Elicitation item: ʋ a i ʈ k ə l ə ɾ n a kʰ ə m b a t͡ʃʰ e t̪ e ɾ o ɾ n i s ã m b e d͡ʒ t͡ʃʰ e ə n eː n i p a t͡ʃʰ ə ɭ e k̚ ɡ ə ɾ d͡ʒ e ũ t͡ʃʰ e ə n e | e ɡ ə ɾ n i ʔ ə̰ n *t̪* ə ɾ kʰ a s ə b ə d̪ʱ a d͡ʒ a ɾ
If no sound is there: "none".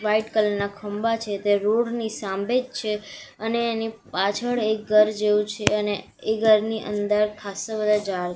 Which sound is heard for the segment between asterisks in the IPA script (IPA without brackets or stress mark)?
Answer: d̪